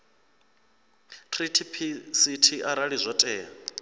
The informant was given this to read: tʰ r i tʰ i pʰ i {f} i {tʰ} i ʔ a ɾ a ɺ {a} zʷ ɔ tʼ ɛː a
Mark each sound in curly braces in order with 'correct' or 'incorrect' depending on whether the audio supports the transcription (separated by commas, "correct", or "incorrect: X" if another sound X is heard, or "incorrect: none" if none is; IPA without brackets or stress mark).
incorrect: s, correct, incorrect: i